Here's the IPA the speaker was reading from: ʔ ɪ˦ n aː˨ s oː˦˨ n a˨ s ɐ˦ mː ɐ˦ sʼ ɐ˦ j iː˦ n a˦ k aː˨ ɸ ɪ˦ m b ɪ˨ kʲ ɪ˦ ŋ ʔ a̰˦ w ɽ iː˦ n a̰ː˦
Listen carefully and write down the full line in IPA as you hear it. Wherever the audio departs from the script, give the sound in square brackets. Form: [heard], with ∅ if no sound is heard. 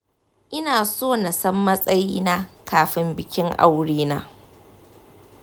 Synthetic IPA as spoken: ʔ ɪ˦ n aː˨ s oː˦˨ n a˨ s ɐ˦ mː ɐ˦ sʼ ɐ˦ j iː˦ n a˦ k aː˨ ɸ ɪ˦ m b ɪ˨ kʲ ɪ˦ ŋ ʔ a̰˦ w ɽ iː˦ n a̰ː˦